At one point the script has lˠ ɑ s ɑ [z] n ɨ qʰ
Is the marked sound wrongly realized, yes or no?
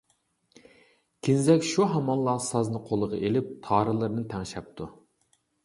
no